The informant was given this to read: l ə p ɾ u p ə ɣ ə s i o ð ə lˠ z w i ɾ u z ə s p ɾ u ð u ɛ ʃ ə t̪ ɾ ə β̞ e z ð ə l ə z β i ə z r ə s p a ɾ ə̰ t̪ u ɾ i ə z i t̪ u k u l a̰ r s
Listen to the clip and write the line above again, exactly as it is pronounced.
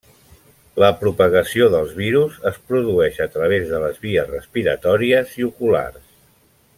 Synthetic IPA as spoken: l ə p ɾ u p ə ɣ ə s i o ð ə lˠ z β i ɾ u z ə s p ɾ u ð u ɛ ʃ ə t̪ ɾ ə β̞ e z ð ə l ə z β i ə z r ə s p i ɾ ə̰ t̪ ɔ ɾ i ə z i u k u l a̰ r s